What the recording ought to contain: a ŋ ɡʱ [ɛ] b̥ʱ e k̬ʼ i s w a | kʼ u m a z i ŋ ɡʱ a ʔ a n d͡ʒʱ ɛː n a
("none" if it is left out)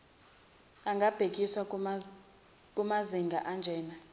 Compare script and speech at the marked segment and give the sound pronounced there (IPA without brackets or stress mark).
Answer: a